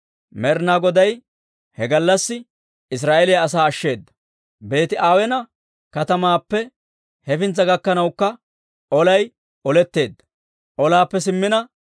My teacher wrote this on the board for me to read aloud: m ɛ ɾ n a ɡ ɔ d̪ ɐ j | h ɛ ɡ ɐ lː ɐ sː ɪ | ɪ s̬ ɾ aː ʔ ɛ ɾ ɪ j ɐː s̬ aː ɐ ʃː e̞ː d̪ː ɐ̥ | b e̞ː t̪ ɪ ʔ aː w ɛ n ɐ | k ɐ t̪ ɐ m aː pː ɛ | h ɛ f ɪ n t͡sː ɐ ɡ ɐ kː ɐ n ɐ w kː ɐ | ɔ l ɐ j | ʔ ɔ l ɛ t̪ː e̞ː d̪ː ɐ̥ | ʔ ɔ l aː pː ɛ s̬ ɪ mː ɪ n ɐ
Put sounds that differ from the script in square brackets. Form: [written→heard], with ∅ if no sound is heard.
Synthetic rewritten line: m ɛ ɾ n a ɡ ɔ d̪ ɐ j | h ɛ ɡ ɐ lː ɐ sː ɪ | ɪ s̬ ɾ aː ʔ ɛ [ɾ→l] ɪ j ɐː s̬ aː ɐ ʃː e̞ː d̪ː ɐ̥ | b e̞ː t̪ ɪ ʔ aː w ɛ n ɐ | k ɐ t̪ ɐ m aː pː ɛ | h ɛ f ɪ n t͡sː ɐ ɡ ɐ kː ɐ n ɐ w kː ɐ | ɔ l ɐ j | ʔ ɔ l ɛ t̪ː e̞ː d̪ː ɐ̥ | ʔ ɔ l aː pː ɛ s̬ ɪ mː ɪ n ɐ

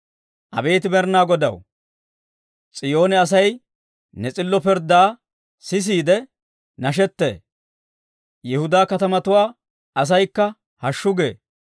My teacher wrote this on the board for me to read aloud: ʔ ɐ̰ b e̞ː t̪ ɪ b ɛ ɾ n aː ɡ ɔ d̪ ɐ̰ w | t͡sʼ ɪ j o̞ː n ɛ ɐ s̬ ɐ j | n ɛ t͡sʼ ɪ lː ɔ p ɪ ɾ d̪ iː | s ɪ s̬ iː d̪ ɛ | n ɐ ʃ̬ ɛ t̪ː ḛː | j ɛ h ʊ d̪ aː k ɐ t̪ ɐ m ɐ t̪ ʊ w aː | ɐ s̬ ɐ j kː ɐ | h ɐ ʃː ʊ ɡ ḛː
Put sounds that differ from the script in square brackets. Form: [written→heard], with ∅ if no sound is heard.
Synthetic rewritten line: ʔ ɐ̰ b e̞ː t̪ ɪ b ɛ ɾ n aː ɡ ɔ d̪ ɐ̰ w | t͡sʼ ɪ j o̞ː n ɛ ɐ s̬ ɐ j | n ɛ t͡sʼ ɪ lː ɔ p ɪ ɾ d̪ [iː→aː] | s ɪ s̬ iː d̪ ɛ | n ɐ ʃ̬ ɛ t̪ː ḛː | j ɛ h ʊ d̪ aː k ɐ t̪ ɐ m ɐ t̪ ʊ w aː | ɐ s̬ ɐ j kː ɐ | h ɐ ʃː ʊ ɡ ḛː

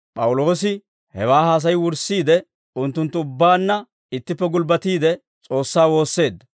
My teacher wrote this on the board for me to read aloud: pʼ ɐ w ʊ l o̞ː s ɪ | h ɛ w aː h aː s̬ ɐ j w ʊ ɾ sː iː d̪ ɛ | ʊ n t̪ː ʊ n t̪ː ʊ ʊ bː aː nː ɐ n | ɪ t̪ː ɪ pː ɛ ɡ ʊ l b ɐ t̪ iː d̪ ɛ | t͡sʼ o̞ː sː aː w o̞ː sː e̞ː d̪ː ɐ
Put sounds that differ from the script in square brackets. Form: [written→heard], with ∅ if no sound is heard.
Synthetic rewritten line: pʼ ɐ w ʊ l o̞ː s ɪ | h ɛ w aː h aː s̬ ɐ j w ʊ ɾ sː iː d̪ ɛ | ʊ n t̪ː ʊ n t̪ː ʊ ʊ bː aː nː ɐ [n→∅] | ɪ t̪ː ɪ pː ɛ ɡ ʊ l b ɐ t̪ iː d̪ ɛ | t͡sʼ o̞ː sː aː w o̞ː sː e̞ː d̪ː ɐ

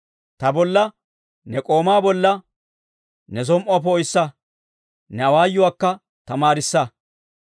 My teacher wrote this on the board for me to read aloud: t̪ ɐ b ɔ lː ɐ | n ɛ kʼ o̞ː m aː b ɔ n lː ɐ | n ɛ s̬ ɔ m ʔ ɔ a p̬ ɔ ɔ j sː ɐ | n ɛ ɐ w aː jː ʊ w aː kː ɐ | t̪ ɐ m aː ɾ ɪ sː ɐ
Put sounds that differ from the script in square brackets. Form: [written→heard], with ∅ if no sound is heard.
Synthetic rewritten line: t̪ ɐ b ɔ lː ɐ | n ɛ kʼ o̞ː m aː b ɔ [n→∅] lː ɐ | n ɛ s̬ ɔ m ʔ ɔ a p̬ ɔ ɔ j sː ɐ | n ɛ ɐ w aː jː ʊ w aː kː ɐ | t̪ ɐ m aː ɾ ɪ sː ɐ

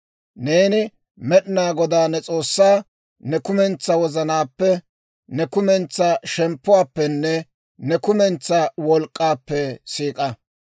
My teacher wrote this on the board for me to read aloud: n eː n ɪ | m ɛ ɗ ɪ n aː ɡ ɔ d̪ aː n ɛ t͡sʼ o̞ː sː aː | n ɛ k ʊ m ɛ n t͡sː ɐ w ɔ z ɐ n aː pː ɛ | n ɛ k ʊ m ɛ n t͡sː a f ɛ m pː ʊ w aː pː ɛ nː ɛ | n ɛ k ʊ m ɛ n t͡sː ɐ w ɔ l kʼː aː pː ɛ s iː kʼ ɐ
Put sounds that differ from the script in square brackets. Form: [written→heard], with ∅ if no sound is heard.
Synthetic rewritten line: n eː n ɪ | m ɛ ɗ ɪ n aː ɡ ɔ d̪ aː n ɛ t͡sʼ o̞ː sː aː | n ɛ k ʊ m ɛ n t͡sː ɐ w ɔ z ɐ n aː pː ɛ | n ɛ k ʊ m ɛ n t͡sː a [f→ʃ] ɛ m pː ʊ w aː pː ɛ nː ɛ | n ɛ k ʊ m ɛ n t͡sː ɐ w ɔ l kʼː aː pː ɛ s iː kʼ ɐ

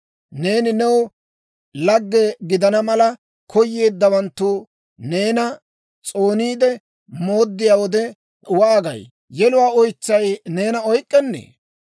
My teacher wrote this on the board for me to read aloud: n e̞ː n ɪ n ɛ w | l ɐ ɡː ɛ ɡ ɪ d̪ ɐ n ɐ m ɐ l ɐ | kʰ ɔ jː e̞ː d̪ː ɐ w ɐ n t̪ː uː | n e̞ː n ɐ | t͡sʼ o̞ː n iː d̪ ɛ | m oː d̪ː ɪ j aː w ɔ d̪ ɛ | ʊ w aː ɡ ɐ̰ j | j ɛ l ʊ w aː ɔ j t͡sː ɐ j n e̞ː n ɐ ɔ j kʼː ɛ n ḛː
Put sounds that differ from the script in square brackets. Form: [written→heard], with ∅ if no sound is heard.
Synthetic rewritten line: n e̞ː n ɪ n ɛ w | l ɐ ɡː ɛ ɡ ɪ d̪ ɐ n ɐ m ɐ l ɐ | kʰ ɔ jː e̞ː d̪ː ɐ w ɐ n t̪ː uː | n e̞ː n ɐ | t͡sʼ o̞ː n iː d̪ ɛ | m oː d̪ː ɪ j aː w ɔ d̪ ɛ | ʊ w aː ɡ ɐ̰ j | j ɛ l ʊ w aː ɔ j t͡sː ɐ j n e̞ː n ɐ ɔ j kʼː ɛ [n→nː] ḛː

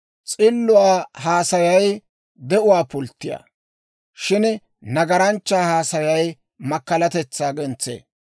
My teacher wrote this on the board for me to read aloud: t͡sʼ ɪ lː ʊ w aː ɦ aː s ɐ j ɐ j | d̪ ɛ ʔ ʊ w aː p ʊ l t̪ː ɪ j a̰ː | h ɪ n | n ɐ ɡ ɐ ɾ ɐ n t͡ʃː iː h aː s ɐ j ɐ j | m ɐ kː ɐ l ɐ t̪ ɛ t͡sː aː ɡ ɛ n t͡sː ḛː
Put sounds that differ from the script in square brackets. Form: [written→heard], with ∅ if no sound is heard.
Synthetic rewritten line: t͡sʼ ɪ lː ʊ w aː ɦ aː s ɐ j ɐ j | d̪ ɛ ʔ ʊ w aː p ʊ l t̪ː ɪ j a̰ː | [h→ʃ] ɪ n | n ɐ ɡ ɐ ɾ ɐ n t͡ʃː [iː→aː] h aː s ɐ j ɐ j | m ɐ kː ɐ l ɐ t̪ ɛ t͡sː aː ɡ ɛ n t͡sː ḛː

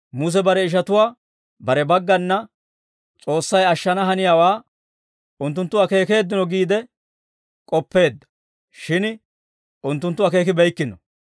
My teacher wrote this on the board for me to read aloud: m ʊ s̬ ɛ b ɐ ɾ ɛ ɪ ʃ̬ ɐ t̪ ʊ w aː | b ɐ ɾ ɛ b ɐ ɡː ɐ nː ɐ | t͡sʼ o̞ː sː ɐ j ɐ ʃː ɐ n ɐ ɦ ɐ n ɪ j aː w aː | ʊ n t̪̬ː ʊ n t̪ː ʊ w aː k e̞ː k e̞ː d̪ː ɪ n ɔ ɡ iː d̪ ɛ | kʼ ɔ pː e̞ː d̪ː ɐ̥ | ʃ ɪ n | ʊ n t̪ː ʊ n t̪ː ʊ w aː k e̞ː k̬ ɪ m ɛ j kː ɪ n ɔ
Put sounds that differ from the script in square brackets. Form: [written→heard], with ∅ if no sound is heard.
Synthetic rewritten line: m ʊ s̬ ɛ b ɐ ɾ ɛ ɪ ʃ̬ ɐ t̪ ʊ w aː | b ɐ ɾ ɛ b ɐ ɡː ɐ nː ɐ | t͡sʼ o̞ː sː ɐ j ɐ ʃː ɐ n ɐ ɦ ɐ n ɪ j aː w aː | ʊ n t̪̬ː ʊ n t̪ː ʊ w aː k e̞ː k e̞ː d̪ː ɪ n ɔ ɡ iː d̪ ɛ | kʼ ɔ pː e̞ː d̪ː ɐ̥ | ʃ ɪ n | ʊ n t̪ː ʊ n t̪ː ʊ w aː k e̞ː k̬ ɪ [m→b] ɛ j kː ɪ n ɔ

